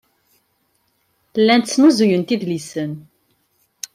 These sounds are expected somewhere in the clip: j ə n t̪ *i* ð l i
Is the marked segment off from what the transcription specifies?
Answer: no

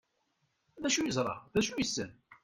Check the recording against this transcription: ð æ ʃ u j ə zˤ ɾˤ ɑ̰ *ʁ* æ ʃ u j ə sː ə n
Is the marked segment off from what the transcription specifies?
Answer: yes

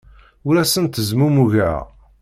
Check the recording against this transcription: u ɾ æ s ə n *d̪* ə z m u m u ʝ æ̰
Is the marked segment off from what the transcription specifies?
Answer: yes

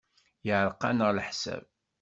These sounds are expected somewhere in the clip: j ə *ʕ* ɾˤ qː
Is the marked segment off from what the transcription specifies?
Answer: no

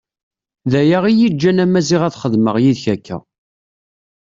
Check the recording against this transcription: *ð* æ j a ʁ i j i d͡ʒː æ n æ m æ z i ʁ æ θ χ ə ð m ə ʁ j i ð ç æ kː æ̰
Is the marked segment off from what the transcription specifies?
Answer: no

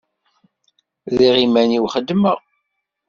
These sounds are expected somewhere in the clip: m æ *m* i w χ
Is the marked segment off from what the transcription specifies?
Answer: yes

